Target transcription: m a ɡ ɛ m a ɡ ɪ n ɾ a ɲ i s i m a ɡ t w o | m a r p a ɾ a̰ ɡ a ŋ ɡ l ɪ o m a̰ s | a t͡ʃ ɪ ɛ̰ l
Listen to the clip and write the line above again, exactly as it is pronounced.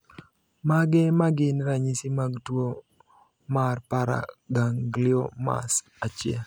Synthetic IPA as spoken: m a ɡ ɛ m a ɡ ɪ n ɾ a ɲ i s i m a ɡ t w o | m a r p a ɾ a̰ ɡ a ŋ ɡ l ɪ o m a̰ s | a t͡ʃ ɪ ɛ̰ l